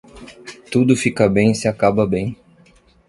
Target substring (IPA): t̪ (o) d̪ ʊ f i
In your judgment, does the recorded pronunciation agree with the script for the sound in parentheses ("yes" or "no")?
no